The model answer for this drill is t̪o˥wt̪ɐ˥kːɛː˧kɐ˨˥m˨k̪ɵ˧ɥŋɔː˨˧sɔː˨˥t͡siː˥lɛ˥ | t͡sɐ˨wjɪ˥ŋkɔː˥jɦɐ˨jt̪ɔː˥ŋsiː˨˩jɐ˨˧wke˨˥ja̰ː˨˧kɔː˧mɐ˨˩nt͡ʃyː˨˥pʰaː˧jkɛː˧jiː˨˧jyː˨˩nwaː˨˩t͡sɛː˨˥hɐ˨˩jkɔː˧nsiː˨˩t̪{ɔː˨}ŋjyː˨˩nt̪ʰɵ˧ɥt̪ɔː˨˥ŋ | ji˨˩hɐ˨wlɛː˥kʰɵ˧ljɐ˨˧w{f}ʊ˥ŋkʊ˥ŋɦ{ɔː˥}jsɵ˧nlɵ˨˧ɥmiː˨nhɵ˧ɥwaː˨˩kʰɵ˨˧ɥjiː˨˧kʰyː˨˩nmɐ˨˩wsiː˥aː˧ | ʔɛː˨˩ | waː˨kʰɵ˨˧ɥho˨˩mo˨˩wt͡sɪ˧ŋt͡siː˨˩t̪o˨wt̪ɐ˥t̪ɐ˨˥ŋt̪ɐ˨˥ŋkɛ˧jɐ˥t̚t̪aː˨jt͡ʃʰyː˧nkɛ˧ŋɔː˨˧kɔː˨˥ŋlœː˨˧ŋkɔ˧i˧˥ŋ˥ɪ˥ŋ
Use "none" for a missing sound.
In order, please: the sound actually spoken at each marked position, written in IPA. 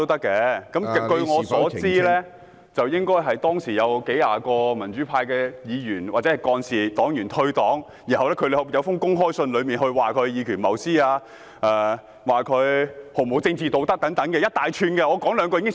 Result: ɔː˨˥, f, ɔː˥

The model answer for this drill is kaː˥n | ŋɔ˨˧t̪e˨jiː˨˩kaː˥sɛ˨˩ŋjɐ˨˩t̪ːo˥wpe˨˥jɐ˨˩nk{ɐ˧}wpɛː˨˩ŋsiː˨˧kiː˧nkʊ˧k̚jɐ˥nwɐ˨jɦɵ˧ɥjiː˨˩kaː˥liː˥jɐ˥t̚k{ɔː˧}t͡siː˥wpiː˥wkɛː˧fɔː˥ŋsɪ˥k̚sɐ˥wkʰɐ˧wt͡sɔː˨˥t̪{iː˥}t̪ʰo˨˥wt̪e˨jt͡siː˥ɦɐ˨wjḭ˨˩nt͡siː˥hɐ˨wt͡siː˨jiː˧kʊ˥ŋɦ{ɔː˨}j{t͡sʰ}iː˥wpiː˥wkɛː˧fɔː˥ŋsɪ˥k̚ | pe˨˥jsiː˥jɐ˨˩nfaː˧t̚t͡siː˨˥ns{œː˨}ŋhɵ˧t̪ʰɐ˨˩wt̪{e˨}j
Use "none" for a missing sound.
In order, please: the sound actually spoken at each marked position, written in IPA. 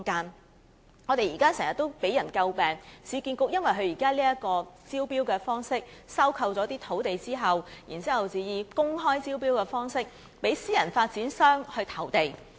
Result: ɐ˧, ɔː˧, iː˥, ɔː˥, t͡s, œː˥, e˨

